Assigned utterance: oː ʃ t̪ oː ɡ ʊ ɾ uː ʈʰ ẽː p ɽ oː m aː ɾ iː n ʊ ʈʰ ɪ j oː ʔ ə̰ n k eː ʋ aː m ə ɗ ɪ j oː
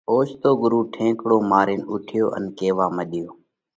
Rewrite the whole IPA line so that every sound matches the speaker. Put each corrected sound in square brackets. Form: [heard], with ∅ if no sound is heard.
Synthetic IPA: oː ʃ t̪ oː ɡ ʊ ɾ uː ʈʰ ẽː [k] ɽ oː m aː ɾ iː n ʊ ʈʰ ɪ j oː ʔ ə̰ n k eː ʋ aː m ə ɗ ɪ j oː

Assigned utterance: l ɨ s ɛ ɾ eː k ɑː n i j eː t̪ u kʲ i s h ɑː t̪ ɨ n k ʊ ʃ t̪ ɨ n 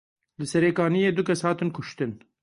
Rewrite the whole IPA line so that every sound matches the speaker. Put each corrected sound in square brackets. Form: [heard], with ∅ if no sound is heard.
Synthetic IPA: l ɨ s ɛ ɾ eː k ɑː n i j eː [d̪] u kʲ [ɛ] s h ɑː t̪ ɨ n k ʊ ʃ t̪ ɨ n

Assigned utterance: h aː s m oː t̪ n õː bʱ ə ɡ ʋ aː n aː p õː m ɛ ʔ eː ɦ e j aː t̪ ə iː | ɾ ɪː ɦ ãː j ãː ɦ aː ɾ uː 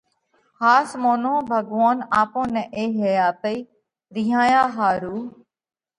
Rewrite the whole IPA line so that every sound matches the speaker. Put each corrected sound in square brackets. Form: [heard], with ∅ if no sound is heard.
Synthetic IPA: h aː s m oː [∅] n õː bʱ ə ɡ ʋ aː n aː p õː [n] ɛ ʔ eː ɦ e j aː t̪ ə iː | ɾ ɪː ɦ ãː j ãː ɦ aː ɾ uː

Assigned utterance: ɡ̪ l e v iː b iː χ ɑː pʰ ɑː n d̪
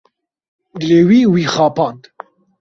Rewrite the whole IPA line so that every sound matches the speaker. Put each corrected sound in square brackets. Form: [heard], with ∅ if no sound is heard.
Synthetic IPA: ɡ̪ l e [w] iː [w] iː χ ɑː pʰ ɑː n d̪

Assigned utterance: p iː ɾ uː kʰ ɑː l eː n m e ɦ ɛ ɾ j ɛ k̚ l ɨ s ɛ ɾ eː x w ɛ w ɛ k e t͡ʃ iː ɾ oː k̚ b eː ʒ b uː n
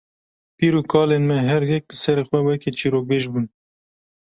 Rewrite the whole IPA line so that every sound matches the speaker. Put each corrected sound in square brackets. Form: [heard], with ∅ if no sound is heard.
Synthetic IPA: p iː ɾ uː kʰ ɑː l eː n m [ɛ] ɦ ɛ ɾ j ɛ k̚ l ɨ s ɛ ɾ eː x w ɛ w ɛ k e t͡ʃ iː ɾ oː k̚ b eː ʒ b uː n

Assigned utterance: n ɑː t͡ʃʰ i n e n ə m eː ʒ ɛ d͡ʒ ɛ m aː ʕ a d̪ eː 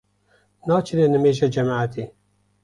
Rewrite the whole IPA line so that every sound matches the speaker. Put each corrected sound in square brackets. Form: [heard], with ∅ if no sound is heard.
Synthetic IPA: n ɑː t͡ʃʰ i n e n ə m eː ʒ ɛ d͡ʒ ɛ m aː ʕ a [t̪] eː

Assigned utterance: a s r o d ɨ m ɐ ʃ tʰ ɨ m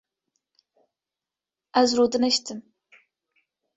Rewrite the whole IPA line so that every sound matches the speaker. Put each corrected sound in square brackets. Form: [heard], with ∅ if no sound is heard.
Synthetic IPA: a [z] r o d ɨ [n] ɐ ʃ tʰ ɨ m

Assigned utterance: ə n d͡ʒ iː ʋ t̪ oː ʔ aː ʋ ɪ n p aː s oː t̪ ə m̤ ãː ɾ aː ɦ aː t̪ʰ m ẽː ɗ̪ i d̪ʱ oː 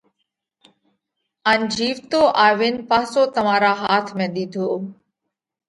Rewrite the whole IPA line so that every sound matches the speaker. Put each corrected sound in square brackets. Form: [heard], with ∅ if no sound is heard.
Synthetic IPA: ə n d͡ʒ iː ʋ t̪ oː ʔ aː ʋ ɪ n p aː s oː t̪ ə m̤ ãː ɾ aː ɦ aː t̪ʰ m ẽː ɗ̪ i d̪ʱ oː

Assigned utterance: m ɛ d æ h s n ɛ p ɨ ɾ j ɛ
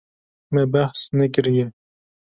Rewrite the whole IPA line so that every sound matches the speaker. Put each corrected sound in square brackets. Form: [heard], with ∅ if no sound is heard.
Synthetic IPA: m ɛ [b] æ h s n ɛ [k] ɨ ɾ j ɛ

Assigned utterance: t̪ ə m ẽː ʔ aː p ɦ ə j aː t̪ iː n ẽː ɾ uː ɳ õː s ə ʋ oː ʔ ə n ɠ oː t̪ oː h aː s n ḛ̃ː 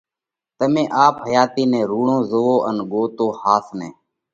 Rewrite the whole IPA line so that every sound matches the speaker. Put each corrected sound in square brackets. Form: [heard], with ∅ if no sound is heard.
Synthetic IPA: t̪ ə m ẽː ʔ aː p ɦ ə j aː t̪ iː n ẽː ɾ uː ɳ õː [z] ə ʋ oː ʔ ə n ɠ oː t̪ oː h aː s n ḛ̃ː

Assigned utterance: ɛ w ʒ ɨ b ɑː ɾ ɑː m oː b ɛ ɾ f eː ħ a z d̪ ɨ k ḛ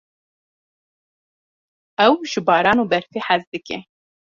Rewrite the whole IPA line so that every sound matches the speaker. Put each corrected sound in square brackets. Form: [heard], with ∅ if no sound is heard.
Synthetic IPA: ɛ w ʒ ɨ b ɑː ɾ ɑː [n] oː b ɛ ɾ f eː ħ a z d̪ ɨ k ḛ

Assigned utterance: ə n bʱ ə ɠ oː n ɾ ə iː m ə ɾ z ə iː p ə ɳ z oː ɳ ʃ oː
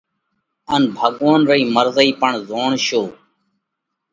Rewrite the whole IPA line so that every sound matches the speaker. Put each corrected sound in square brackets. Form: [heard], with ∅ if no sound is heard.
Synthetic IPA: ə n bʱ ə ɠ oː n ɾ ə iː m ə ɾ z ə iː p ə ɳ z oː ɳ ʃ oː

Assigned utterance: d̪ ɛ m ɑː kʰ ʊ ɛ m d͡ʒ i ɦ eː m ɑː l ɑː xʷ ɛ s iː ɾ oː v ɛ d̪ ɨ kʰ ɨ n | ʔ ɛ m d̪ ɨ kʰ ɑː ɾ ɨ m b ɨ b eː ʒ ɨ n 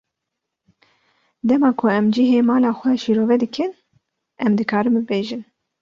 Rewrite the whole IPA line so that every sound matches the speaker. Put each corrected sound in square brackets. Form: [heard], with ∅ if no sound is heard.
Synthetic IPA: d̪ ɛ m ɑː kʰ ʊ ɛ m d͡ʒ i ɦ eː m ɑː l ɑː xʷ ɛ [ʃ] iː ɾ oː v ɛ d̪ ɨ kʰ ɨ n | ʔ ɛ m d̪ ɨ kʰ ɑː ɾ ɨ m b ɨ b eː ʒ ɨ n

